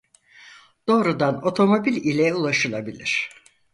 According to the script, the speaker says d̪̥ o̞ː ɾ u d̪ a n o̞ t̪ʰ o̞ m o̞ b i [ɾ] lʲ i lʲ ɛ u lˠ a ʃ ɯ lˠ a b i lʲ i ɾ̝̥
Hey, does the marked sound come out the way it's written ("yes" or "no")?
no